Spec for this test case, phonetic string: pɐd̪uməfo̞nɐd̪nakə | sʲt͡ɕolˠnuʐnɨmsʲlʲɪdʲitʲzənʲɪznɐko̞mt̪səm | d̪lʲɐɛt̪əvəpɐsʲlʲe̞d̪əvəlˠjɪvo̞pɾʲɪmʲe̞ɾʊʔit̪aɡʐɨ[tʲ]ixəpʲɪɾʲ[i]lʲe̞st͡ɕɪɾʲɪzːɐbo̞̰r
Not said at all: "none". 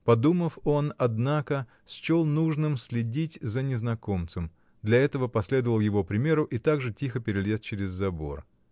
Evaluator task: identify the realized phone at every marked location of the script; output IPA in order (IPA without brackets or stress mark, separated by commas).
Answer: tʲ, ɪ